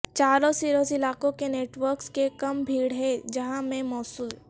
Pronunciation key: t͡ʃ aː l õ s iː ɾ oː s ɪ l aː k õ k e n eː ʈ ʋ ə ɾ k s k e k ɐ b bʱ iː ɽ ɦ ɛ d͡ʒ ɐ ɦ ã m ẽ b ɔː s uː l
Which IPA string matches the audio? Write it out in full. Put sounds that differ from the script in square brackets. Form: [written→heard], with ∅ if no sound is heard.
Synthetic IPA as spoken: t͡ʃ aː [l→ɾ] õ s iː ɾ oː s ɪ l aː k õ k e n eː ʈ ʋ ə ɾ k s k e k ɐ [b→m] bʱ iː ɽ ɦ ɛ d͡ʒ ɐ ɦ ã m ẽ [b→m] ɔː s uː l